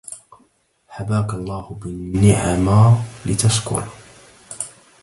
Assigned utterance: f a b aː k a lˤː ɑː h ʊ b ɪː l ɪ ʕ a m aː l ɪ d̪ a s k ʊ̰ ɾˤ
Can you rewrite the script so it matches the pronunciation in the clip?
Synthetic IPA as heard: ħ a b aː k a lˤː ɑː h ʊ b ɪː ɪ ʕ a m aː l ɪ t̪ a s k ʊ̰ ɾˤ